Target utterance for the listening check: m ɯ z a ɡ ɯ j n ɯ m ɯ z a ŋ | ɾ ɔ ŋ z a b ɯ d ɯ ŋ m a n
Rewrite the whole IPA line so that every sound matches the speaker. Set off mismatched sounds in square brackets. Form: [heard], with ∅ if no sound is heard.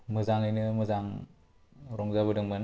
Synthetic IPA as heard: m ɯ z a [ŋ] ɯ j n ɯ m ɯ z a ŋ | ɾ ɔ ŋ z a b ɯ d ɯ ŋ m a n